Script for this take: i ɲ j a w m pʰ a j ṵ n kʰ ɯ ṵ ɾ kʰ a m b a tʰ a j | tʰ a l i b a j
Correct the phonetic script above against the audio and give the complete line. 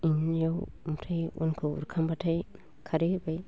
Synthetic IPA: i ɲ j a w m tʰ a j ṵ n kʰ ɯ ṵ ɾ kʰ a m b a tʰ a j | kʰ a ɾ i b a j